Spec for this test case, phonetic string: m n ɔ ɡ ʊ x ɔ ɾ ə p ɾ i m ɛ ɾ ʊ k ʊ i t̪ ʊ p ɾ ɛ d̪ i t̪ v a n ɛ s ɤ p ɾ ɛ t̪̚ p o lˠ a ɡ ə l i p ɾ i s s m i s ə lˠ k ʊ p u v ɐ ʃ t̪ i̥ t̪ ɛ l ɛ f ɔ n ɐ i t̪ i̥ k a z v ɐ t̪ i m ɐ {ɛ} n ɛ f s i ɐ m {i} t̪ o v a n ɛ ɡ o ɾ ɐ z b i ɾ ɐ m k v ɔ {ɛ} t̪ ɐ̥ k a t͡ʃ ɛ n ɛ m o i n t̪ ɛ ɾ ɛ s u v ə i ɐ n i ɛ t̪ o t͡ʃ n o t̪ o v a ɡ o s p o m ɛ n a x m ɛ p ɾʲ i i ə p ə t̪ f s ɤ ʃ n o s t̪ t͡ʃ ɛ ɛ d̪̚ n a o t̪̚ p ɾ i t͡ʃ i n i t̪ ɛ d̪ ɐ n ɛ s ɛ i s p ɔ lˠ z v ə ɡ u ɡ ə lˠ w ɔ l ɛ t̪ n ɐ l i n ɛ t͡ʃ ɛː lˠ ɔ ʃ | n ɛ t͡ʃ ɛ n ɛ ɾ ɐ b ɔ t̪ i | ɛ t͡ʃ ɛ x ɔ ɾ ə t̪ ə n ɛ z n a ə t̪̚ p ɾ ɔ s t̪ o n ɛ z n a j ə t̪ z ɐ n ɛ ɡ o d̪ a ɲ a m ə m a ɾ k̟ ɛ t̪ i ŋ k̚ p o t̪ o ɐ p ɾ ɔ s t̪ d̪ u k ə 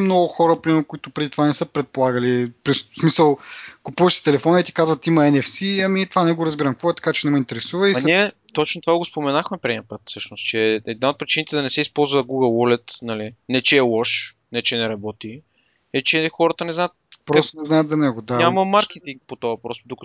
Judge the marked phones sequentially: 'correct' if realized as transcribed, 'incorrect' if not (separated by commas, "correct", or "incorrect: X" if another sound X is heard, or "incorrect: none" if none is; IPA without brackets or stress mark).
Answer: correct, correct, correct